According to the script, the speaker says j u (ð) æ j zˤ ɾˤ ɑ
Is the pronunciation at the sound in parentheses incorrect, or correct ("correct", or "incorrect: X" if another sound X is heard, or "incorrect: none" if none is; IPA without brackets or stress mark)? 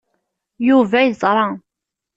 incorrect: v